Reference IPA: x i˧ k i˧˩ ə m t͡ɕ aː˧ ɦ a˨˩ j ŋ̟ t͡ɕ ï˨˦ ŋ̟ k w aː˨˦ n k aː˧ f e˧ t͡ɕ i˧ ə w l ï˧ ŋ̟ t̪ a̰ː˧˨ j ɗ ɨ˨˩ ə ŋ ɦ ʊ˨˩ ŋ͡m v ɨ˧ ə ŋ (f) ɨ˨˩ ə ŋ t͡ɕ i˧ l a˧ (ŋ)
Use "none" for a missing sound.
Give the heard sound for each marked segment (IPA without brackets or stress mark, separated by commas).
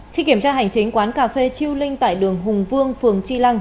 f, ŋ